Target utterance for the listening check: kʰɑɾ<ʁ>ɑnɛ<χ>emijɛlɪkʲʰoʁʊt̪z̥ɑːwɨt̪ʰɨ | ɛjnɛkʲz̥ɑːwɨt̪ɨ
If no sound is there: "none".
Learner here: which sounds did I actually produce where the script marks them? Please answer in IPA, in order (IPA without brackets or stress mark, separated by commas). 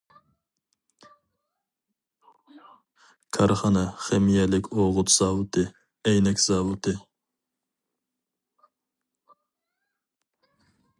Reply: χ, χ